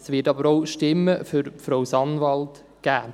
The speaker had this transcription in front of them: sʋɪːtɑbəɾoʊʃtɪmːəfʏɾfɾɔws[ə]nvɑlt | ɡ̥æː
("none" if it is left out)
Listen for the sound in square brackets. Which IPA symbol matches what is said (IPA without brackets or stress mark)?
ɑ